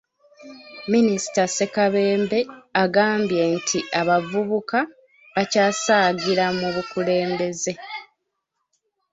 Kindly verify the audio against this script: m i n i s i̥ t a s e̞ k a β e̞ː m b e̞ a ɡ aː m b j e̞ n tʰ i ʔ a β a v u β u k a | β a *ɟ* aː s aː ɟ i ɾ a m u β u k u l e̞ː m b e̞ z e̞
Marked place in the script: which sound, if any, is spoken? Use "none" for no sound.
c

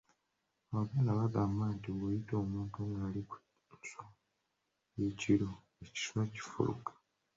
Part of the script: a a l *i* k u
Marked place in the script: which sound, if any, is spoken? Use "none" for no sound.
i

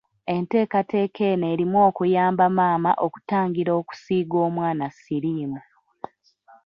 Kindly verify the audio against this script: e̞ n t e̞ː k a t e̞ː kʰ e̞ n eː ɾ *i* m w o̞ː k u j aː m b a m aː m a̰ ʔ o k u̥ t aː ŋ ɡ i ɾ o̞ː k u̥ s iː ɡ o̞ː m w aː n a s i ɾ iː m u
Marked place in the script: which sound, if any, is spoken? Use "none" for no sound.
i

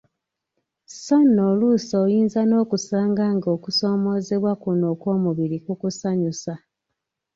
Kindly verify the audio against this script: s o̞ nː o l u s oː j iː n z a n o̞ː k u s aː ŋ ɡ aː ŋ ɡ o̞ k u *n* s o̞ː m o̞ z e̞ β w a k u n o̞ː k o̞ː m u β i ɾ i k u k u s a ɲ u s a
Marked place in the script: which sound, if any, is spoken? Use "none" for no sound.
none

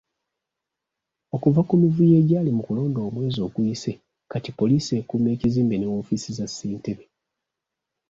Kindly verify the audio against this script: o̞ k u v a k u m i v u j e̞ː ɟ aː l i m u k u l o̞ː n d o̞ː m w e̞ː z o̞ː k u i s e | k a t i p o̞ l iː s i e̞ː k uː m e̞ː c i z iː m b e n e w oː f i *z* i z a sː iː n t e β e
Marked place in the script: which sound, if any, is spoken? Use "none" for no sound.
s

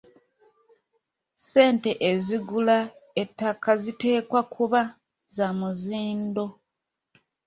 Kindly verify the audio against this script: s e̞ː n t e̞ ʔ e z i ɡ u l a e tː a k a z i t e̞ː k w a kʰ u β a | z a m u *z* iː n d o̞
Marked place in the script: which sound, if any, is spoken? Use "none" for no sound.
z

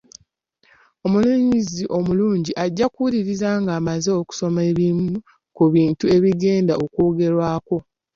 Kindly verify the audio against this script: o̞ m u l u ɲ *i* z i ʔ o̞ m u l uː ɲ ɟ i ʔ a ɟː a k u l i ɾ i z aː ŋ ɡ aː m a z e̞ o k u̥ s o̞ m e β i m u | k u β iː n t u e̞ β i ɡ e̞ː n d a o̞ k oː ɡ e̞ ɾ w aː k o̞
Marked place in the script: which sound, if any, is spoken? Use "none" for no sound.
i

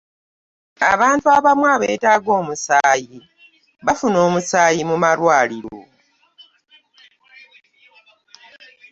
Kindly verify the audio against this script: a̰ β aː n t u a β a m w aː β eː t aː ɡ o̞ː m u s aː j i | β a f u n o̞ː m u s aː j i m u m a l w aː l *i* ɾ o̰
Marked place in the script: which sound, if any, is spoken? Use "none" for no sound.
i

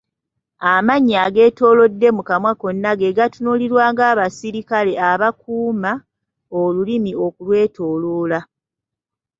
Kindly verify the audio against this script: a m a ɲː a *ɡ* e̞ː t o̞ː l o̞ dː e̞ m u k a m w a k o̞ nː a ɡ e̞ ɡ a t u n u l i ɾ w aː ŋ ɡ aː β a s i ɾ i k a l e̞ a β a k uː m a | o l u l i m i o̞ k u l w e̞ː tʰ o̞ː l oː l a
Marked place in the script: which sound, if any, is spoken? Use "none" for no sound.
ɡ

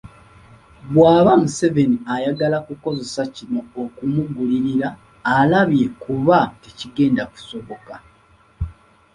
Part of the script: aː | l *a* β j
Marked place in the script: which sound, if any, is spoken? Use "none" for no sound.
a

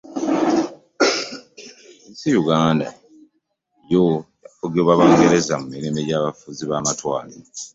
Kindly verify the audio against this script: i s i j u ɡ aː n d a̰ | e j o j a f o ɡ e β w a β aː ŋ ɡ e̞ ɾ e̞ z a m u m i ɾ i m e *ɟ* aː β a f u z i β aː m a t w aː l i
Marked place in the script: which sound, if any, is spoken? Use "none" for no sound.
ɟ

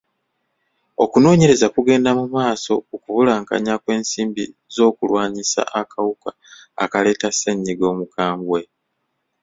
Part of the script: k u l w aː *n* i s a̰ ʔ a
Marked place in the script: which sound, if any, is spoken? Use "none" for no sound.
ɲ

